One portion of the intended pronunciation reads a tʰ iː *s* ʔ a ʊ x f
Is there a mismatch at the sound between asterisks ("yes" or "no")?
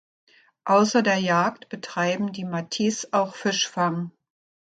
no